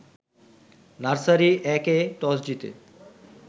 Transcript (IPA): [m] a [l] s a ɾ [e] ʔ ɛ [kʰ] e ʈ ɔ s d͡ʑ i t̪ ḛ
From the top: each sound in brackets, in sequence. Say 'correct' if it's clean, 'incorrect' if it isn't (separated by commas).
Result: incorrect, incorrect, incorrect, incorrect